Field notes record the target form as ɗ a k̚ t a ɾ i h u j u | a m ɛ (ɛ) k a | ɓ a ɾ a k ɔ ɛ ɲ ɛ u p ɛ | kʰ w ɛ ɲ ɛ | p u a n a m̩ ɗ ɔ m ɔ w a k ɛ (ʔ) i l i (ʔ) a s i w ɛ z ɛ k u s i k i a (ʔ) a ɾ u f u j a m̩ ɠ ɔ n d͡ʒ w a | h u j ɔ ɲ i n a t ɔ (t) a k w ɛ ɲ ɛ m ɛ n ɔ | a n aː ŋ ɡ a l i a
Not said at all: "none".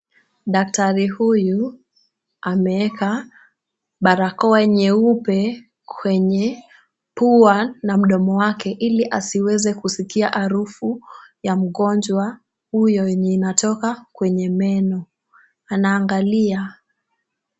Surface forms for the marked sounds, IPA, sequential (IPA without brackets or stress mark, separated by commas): ɛ, ʔ, ʔ, ʔ, k